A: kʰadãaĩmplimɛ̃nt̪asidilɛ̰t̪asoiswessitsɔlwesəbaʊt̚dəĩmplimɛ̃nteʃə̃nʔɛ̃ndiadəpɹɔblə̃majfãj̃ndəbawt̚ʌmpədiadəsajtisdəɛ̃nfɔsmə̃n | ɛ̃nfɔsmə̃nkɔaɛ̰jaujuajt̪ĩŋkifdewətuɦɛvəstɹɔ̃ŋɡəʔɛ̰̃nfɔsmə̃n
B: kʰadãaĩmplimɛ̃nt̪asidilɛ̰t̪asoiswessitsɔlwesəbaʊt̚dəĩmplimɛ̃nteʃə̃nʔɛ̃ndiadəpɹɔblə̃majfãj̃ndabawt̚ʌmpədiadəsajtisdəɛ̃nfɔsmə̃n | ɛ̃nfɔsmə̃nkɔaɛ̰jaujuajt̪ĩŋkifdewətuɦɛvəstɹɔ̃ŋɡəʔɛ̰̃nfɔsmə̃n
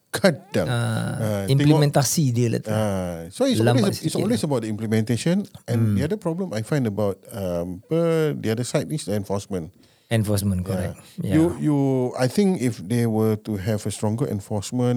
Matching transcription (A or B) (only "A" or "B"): A